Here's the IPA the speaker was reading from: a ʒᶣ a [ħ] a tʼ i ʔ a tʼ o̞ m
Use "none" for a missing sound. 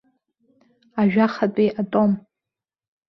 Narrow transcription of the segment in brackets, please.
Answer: χ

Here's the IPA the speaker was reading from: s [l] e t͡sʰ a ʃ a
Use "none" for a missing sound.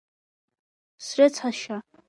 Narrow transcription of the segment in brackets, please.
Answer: r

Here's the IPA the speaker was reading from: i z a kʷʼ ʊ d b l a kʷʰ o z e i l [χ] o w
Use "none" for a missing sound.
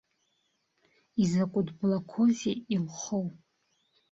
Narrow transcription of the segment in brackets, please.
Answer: χ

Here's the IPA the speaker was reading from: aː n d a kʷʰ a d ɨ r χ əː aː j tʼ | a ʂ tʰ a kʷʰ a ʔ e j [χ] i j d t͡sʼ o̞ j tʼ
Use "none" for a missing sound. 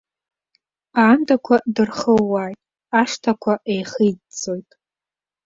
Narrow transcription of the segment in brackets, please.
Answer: χ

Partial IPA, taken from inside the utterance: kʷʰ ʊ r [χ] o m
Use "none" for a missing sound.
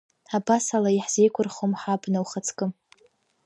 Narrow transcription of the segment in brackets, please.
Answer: χ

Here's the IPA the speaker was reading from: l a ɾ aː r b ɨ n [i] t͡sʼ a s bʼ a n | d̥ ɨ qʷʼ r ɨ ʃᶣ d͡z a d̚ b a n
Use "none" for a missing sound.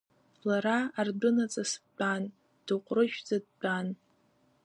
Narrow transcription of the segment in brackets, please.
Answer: a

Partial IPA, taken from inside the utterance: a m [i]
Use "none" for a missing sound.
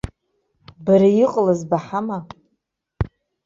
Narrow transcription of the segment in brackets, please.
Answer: a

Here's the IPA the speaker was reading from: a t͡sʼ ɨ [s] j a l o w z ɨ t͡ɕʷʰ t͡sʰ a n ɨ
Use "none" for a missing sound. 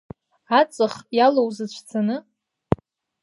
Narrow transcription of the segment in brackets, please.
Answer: χ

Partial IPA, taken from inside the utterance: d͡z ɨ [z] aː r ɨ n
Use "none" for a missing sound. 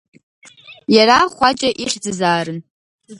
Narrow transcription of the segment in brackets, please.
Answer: z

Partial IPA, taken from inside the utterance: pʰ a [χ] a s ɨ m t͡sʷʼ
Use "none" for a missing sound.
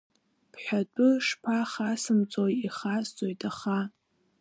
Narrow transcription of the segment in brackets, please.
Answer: χ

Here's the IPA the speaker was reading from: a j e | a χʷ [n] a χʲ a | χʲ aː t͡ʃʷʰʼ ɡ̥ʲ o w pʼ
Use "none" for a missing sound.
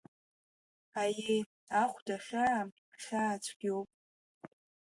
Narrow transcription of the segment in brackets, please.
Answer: d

